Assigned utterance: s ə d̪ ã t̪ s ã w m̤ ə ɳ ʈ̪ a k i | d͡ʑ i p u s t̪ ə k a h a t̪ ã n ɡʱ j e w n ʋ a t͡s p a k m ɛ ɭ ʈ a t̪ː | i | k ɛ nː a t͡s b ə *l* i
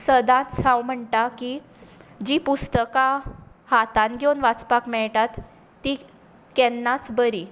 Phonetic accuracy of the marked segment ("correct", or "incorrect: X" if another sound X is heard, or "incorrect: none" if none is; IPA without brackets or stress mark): incorrect: ɾ